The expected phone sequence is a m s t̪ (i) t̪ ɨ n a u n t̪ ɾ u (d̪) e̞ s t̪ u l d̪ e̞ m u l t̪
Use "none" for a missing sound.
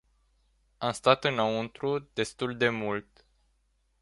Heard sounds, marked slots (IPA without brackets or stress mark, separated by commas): a, d̪